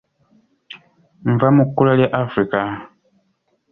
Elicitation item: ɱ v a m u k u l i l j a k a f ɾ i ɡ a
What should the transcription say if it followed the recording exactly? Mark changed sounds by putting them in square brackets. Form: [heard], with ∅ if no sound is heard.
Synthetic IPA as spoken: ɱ v a m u k u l [a] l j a [ʔ] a f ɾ i [k] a